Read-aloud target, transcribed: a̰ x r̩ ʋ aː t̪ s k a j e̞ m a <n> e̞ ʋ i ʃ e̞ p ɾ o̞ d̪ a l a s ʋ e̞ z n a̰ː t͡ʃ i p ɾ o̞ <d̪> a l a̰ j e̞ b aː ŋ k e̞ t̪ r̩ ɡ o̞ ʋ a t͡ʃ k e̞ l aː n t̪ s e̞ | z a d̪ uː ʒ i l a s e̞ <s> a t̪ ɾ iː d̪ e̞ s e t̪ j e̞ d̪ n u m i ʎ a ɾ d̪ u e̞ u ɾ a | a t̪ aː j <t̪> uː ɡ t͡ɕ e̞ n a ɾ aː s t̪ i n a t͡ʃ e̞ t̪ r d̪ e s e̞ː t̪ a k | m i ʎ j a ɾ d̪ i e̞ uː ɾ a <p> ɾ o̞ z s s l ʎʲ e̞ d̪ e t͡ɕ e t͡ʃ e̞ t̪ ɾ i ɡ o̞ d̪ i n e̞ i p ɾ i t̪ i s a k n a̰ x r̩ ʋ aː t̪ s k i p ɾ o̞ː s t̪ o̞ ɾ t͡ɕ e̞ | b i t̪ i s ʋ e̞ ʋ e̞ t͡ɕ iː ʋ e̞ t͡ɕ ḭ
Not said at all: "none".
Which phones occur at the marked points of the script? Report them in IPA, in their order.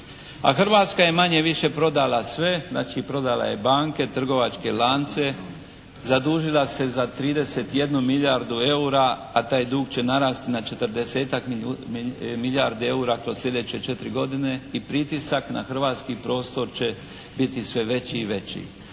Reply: ɲ, d̪, z, d̪, k

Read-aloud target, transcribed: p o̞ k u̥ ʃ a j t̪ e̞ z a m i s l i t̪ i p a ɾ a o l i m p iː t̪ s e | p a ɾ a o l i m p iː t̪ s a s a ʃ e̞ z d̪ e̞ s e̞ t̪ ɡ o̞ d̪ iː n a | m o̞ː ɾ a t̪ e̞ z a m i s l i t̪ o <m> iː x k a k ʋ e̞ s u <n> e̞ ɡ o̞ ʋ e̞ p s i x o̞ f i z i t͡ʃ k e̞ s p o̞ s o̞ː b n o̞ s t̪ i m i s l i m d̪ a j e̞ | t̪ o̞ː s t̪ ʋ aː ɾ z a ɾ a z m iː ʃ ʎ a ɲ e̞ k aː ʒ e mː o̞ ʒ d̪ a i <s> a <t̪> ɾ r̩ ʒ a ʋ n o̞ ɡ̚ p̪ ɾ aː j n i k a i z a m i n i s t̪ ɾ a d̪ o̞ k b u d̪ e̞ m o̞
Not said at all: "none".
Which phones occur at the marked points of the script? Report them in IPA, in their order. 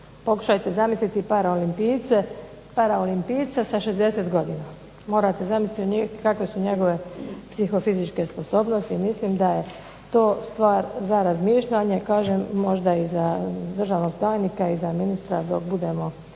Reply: ɲ, ɲ, z, d̪

